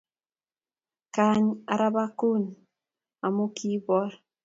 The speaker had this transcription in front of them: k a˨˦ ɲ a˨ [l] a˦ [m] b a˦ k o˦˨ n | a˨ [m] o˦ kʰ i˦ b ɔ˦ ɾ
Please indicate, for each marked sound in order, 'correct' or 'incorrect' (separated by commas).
incorrect, incorrect, correct